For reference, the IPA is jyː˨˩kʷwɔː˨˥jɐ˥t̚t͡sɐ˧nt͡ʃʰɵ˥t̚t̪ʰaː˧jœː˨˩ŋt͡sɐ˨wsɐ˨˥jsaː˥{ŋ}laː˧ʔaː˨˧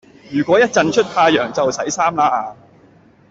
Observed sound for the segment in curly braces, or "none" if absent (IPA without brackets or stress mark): m